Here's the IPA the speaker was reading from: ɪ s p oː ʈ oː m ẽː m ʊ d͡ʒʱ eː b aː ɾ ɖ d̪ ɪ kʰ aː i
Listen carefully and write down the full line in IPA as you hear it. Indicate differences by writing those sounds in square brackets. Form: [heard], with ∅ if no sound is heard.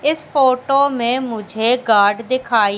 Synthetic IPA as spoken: ɪ s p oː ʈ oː m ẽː m ʊ d͡ʒʱ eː [ɡ] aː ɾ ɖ d̪ ɪ kʰ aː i